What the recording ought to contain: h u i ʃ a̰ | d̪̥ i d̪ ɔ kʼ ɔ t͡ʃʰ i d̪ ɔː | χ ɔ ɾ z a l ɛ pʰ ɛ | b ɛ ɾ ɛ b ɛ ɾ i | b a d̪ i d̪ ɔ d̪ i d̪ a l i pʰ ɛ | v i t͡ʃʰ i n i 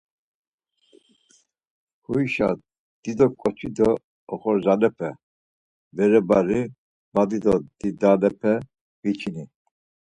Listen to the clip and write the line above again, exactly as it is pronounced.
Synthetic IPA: h u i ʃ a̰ | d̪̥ i d̪ ɔ kʼ ɔ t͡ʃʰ i d̪ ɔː | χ ɔ ɾ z a l ɛ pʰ ɛ | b ɛ ɾ ɛ b a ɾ i | b a d̪ i d̪ ɔ d̪ i d̪ a l ɛ pʰ ɛ | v i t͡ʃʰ i n i